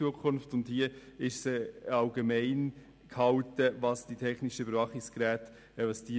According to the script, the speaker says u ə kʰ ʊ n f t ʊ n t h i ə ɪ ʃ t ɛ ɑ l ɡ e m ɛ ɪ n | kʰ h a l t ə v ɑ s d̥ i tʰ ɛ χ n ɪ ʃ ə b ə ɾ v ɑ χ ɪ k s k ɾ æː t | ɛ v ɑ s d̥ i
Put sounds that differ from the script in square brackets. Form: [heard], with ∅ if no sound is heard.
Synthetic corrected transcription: u ə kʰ ʊ n f t ʊ n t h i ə ɪ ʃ [s] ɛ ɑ l ɡ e m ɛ ɪ n | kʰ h [ɑ] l t ə v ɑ s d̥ i tʰ ɛ χ n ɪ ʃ ə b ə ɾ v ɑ χ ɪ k s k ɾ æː t | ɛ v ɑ s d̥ i